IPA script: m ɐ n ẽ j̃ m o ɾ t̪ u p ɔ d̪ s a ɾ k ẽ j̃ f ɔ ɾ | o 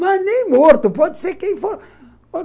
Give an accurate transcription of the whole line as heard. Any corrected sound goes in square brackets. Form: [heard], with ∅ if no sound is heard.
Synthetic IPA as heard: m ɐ n ẽ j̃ m o ɾ t̪ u p ɔ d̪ s [e] ɾ k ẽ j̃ f [o] ɾ | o

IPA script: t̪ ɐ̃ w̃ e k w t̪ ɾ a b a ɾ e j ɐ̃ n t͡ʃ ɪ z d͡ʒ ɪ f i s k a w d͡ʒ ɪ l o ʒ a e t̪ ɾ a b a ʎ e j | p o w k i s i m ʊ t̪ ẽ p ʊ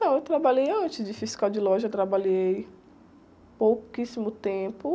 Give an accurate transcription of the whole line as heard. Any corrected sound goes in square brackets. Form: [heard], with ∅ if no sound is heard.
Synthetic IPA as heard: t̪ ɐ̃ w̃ e [∅] w t̪ ɾ a b a [ʎ] e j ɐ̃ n t͡ʃ ɪ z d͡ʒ ɪ f i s k a w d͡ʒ ɪ l [ɔ] ʒ [ɐ] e t̪ ɾ a b a ʎ e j | p o w k i s i m ʊ t̪ ẽ p ʊ

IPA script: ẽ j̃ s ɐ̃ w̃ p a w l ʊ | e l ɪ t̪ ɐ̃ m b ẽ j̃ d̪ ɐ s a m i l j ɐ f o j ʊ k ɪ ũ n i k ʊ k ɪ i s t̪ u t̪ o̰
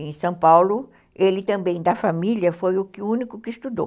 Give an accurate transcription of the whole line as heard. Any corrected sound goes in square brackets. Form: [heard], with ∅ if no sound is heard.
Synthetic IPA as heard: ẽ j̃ s ɐ̃ w̃ p a w l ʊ | e l ɪ t̪ ɐ̃ m b ẽ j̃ d̪ ɐ [f] a m i l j ɐ f o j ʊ k ɪ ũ n i k ʊ k ɪ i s t̪ u [d̪] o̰

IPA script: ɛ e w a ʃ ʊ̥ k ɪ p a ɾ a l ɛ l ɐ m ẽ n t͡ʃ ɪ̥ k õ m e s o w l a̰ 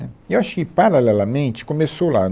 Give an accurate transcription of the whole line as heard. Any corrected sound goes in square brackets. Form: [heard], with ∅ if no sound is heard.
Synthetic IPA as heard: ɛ e w a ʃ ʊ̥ k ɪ p a ɾ a l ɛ l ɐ m ẽ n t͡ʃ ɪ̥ k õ m e s o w l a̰

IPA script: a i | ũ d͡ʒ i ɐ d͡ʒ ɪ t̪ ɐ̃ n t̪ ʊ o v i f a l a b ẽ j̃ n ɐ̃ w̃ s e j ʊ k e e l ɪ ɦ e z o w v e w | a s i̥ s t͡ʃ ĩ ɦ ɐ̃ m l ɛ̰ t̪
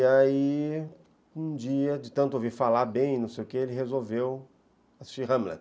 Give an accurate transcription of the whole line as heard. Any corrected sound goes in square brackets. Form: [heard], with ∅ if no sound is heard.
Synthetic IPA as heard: a i | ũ d͡ʒ i ɐ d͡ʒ ɪ t̪ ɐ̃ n t̪ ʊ o v i f a l a b ẽ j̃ n ɐ̃ w̃ s e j ʊ k e e l ɪ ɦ e z o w v e w | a s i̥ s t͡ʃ [i] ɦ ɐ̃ m l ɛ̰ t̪

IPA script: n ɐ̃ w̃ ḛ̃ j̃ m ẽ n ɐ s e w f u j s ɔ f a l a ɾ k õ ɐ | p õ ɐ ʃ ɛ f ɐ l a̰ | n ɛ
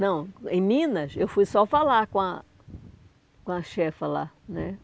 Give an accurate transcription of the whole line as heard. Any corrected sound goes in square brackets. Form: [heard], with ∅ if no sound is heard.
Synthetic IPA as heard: n ɐ̃ w̃ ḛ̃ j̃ m [ĩ] n ɐ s e w f u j s ɔ f a l a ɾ k õ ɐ | [k] õ ɐ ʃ ɛ f ɐ l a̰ | n ɛ

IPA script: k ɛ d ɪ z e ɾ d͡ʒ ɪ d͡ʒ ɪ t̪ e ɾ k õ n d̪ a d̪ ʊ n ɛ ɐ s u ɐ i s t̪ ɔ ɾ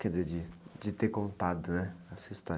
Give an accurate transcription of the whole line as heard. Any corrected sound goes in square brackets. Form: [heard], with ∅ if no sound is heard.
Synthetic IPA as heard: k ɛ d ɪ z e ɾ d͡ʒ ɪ d͡ʒ ɪ t̪ e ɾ k õ n [t̪] a d̪ ʊ n ɛ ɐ s u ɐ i s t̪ ɔ ɾ

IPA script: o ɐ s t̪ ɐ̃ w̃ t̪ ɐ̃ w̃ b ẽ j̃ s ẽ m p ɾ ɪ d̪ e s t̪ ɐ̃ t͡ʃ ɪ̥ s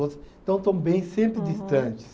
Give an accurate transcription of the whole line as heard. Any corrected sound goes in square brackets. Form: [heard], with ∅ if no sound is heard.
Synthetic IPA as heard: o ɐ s t̪ ɐ̃ w̃ t̪ ɐ̃ w̃ b ẽ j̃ s ẽ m p ɾ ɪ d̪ [i] s t̪ ɐ̃ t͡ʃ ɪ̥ s

